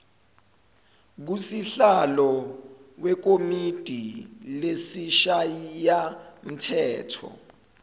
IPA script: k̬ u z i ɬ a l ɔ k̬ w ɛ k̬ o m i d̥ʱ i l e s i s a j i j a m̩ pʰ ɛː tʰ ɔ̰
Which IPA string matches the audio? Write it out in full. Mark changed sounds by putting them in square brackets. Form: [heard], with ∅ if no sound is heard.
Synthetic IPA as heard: k̬ u [s] i ɬ a l ɔ [∅] w ɛ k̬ o m i d̥ʱ i l e s i [ʃ] a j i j a m̩ [tʰ] ɛː tʰ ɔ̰

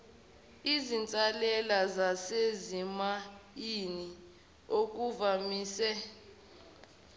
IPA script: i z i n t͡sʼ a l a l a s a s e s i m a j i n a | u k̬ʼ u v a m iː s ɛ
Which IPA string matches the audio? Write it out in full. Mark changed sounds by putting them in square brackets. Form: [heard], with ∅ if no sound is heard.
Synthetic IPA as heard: i z i n t͡sʼ a l [ɛ] l a [z] a s e [z] i m a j i n [i] | [o] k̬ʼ u v a m iː s ɛ

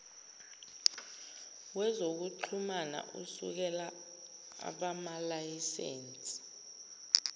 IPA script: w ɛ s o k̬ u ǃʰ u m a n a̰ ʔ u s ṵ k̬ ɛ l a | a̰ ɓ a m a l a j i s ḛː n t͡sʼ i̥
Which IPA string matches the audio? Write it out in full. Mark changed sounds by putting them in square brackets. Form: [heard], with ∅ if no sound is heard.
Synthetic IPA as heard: w ɛ [z] o k̬ u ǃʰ u m a n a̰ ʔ u s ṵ k̬ ɛ l a | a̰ ɓ a m a l a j i s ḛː n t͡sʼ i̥

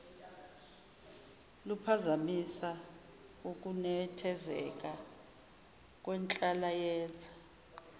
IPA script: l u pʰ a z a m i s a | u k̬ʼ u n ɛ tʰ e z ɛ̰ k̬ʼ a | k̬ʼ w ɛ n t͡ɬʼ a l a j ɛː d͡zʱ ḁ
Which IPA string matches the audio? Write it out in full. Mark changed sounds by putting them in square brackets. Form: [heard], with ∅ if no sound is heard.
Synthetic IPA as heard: l u pʰ a z a m i s a | u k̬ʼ u n ɛ tʰ [ɛ] z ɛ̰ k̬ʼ a | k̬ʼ w ɛ n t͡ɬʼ a l a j ɛː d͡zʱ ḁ

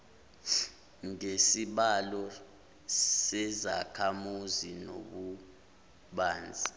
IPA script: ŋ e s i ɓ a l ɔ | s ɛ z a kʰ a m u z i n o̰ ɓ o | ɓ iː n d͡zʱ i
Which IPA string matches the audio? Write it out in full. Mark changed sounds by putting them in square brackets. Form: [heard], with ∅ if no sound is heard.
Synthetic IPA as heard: ŋ e s i ɓ a l ɔ | s ɛ z a kʰ a m u z i n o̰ ɓ [u] | ɓ [aː] n d͡zʱ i

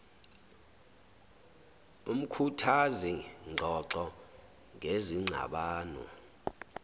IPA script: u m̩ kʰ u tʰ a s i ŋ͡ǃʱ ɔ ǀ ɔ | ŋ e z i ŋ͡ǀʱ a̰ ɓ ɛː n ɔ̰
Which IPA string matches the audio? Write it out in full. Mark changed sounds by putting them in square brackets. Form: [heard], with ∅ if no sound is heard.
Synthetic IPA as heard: u m̩ kʰ u tʰ a [z] i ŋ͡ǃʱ ɔ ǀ ɔ | ŋ e z i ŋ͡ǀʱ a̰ ɓ [aː] n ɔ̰

